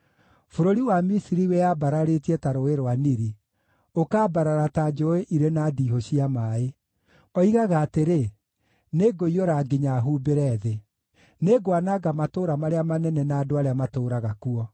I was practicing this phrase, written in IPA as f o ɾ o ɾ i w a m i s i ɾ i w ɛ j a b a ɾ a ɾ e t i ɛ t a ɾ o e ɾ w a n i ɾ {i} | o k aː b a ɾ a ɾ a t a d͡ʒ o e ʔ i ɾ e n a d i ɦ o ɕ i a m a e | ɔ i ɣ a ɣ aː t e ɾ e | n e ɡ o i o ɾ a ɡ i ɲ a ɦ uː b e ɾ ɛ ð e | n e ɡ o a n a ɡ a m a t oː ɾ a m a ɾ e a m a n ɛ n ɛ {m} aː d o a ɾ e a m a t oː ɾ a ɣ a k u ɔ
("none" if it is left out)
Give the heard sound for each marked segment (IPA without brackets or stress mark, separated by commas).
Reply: i, n